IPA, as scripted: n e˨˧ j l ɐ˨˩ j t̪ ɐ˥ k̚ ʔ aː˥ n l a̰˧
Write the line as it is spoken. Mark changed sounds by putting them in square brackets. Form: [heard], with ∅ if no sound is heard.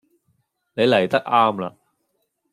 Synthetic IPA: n e˨˧ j l ɐ˨˩ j t̪ ɐ˥ k̚ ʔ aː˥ [m] l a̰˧